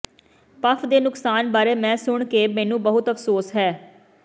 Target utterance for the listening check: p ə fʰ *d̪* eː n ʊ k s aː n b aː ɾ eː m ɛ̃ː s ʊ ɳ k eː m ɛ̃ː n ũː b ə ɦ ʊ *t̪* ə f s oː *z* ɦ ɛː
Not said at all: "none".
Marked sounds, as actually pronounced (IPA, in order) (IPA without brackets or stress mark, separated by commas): d̪, t̪, s